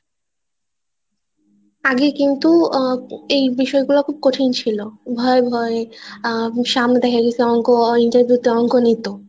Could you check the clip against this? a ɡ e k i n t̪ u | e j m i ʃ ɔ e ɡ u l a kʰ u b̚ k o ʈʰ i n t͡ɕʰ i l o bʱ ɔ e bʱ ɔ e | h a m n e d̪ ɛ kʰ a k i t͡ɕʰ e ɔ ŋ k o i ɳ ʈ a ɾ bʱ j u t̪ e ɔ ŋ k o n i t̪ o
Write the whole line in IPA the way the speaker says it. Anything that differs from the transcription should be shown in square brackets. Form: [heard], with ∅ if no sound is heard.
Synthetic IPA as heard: a ɡ e k i n t̪ u | e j [b] i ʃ ɔ e ɡ u l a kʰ u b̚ k o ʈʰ i n t͡ɕʰ i l o bʱ ɔ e bʱ ɔ e | [ʃ] a m n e d̪ ɛ kʰ a k i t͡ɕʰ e ɔ ŋ k o i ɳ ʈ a ɾ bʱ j u t̪ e ɔ ŋ k o n i t̪ o